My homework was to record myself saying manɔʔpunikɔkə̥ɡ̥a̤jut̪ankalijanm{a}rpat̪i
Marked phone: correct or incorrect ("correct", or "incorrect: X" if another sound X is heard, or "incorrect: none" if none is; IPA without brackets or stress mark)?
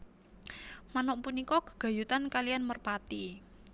incorrect: ə